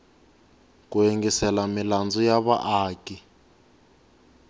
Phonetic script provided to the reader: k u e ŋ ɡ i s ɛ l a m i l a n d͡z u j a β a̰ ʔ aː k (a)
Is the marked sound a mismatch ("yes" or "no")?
yes